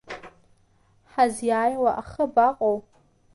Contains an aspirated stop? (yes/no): no